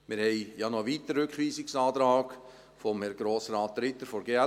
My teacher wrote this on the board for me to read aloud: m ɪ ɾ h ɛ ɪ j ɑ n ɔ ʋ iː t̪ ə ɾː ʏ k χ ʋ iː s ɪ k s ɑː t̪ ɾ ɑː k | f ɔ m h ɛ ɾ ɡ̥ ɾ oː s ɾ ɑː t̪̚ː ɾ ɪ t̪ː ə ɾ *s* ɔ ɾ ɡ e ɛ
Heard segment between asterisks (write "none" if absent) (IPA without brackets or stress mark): f